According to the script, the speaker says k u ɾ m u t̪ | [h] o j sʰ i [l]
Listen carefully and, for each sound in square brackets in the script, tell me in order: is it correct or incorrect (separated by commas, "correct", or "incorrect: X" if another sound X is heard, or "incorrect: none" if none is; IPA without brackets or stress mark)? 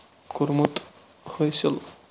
correct, correct